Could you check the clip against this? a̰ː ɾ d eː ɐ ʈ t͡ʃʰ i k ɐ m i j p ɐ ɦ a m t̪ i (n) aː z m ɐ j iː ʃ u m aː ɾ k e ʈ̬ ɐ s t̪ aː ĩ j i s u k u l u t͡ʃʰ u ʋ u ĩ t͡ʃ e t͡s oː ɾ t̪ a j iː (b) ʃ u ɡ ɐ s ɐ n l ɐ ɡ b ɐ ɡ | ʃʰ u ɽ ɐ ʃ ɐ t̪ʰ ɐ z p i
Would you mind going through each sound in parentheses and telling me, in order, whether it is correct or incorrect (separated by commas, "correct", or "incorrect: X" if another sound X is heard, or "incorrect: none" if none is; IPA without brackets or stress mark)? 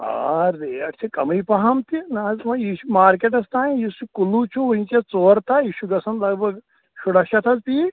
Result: correct, incorrect: none